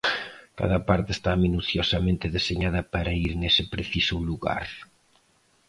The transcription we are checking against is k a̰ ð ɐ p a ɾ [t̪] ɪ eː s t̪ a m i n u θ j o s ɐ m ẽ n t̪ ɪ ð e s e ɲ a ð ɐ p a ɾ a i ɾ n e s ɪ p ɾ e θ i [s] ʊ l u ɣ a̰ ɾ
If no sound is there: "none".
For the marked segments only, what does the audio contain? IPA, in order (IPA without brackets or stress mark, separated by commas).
t̪, s